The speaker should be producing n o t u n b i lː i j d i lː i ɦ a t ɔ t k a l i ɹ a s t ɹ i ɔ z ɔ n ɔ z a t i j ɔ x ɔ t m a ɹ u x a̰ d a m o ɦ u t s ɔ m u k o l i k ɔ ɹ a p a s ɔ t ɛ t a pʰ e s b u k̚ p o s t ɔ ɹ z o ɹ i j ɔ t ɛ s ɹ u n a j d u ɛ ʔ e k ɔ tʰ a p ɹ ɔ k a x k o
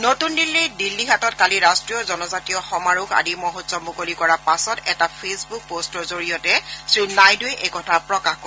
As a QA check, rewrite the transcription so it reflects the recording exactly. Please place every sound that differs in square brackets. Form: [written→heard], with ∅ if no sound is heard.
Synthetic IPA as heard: n o t u n [b→d] i lː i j d i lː i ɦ a t ɔ t k a l i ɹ a s t ɹ i ɔ z ɔ n ɔ z a t i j ɔ x ɔ [t→∅] m a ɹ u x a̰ d [a→i] m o ɦ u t s ɔ m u k o l i k ɔ ɹ a p a s ɔ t ɛ t a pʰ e s b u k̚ p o s t ɔ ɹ z o ɹ i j ɔ t ɛ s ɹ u n a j d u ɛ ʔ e k ɔ tʰ a p ɹ ɔ k a x k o